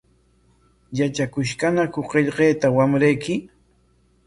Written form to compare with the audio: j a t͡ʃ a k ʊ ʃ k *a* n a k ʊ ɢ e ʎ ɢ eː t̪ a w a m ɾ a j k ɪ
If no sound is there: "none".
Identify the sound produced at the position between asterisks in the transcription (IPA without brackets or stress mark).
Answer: a